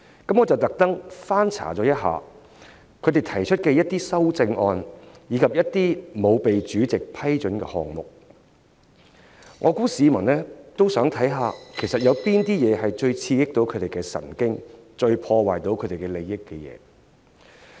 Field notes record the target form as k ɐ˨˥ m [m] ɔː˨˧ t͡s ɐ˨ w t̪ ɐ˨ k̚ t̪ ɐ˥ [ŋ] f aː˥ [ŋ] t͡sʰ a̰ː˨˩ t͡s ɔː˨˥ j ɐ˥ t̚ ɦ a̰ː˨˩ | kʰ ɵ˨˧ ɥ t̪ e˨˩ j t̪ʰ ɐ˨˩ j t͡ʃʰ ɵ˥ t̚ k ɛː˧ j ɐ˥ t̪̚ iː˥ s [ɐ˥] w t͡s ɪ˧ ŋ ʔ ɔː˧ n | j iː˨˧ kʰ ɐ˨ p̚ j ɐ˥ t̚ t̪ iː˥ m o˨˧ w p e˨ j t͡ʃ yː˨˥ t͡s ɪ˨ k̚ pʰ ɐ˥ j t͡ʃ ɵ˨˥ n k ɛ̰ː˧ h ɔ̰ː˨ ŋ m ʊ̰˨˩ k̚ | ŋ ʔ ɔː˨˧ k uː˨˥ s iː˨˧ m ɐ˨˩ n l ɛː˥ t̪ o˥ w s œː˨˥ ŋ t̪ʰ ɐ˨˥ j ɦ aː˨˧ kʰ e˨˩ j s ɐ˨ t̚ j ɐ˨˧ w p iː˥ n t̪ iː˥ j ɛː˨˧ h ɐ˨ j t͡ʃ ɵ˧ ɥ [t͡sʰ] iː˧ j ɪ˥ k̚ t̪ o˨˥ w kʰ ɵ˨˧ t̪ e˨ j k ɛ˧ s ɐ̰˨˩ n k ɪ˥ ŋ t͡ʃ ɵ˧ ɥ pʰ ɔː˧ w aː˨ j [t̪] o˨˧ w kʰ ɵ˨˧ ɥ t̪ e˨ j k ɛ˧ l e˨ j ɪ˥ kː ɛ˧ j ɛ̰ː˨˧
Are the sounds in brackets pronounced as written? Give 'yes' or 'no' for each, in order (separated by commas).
no, yes, no, yes, yes, yes